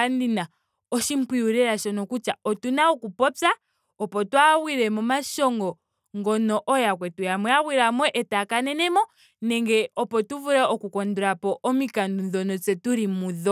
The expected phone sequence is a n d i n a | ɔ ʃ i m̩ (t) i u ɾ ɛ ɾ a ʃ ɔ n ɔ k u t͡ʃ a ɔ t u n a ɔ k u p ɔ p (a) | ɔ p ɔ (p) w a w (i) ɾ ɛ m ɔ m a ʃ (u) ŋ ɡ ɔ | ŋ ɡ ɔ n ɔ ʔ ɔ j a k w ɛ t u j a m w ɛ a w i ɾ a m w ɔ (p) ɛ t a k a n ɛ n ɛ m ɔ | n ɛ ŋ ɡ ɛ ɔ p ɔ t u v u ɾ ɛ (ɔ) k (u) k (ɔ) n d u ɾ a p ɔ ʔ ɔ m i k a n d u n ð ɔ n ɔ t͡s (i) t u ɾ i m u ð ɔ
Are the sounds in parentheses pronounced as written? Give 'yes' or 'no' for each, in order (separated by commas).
no, yes, no, yes, no, no, yes, yes, yes, no